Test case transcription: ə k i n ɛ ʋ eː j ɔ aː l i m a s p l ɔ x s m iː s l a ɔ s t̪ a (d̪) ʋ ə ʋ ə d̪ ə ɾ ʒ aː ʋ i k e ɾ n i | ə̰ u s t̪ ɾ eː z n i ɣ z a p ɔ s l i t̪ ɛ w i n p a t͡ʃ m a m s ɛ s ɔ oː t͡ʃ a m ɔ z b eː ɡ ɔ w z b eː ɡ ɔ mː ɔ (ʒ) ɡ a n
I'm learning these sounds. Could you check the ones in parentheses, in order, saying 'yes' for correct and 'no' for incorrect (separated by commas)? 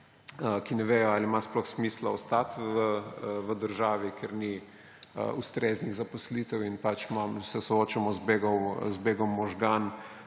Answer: no, yes